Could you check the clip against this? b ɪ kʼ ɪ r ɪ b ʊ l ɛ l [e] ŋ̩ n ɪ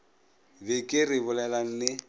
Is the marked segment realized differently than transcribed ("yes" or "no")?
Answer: yes